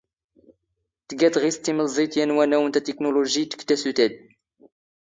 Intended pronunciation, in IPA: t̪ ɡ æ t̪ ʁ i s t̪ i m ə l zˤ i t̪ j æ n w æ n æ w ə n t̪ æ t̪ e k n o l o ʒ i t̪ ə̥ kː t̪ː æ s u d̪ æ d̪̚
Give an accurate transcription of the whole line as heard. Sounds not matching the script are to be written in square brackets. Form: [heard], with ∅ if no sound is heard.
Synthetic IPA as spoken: t̪ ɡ æ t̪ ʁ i s t̪ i m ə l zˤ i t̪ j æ n w æ n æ w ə n t̪ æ t̪ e k n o l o ʒ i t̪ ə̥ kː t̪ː æ s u [t̪] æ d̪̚